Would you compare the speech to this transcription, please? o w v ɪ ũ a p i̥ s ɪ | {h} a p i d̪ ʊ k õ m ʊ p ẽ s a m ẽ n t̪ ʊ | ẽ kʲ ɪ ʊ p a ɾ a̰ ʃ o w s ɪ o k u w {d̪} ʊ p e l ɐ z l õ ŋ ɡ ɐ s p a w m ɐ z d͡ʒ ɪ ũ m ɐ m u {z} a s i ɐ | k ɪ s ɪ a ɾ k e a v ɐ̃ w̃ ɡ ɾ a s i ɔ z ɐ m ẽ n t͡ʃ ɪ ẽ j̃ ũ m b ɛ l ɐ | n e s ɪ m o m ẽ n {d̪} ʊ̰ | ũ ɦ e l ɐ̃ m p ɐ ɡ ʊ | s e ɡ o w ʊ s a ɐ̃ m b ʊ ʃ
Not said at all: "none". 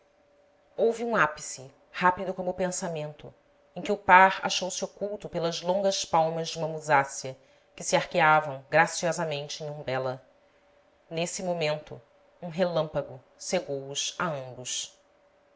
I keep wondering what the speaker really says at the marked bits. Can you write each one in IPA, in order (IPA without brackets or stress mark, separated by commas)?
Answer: h, t̪, z, t̪